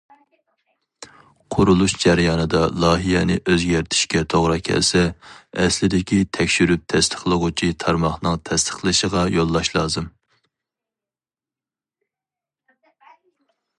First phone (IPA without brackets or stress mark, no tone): qʰ